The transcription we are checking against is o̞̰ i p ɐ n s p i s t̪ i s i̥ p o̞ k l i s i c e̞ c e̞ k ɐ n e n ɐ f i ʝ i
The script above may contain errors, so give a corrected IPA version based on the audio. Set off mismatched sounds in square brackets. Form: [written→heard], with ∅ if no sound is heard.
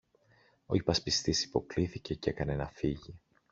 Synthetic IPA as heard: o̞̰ i p ɐ [n→∅] s p i s t̪ i s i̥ p o̞ k l i [s→θ] i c e̞ c e̞ k ɐ n e n ɐ f i ʝ i